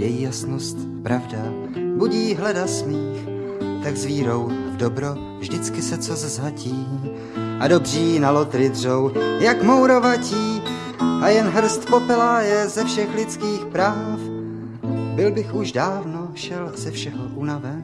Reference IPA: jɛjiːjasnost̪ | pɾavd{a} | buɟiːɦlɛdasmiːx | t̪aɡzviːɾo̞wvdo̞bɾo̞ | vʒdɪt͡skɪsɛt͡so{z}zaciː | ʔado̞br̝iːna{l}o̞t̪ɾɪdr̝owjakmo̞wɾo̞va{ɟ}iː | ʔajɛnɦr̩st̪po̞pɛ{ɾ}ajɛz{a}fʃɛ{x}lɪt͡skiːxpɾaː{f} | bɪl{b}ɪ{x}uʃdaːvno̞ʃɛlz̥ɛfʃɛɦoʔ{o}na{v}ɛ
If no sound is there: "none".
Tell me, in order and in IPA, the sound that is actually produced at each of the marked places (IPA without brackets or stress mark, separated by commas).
a, z, l, c, l, ɛ, x, f, b, x, u, v